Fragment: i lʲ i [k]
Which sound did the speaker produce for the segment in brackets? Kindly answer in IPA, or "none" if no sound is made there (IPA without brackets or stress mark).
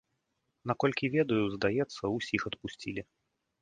none